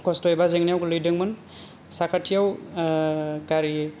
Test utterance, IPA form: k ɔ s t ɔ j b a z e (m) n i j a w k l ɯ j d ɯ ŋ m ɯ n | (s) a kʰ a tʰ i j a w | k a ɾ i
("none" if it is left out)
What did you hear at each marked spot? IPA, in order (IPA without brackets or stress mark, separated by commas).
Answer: ŋ, s